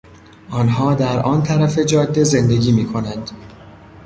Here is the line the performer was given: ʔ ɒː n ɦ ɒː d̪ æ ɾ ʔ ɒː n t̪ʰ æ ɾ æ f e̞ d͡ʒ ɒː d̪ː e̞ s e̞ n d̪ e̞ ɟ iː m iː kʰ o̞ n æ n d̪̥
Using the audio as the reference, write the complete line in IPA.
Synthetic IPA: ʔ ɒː n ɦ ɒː d̪ æ ɾ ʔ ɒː n t̪ʰ æ ɾ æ f e̞ d͡ʒ ɒː d̪ː e̞ z e̞ n d̪ e̞ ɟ iː m iː kʰ o̞ n æ n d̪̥